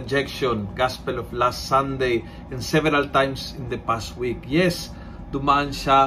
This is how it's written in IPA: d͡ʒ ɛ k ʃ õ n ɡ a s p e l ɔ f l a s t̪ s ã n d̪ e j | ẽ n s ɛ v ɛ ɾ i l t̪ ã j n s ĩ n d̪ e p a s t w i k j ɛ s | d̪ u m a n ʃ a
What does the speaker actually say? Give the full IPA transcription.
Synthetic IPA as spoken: d͡ʒ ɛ k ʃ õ n ɡ a s p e l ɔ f l a s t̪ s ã n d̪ e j | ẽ n s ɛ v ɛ ɾ a l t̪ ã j m s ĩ n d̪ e p a s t w i k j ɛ s | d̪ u m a n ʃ a